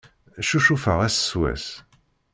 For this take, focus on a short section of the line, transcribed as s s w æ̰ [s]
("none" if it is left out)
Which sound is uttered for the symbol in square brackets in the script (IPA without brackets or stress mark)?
s